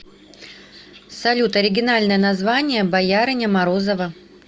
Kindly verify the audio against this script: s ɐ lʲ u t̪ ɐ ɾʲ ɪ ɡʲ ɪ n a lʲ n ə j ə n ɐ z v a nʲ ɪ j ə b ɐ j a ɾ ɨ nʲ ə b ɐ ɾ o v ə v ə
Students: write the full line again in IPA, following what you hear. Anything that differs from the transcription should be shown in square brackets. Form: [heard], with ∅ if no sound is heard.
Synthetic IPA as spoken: s ɐ lʲ u t̪ ɐ ɾʲ ɪ ɡʲ ɪ n a lʲ n ə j ə n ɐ z v a nʲ ɪ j ə b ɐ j a ɾ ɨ nʲ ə [m] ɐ ɾ o [z] ə v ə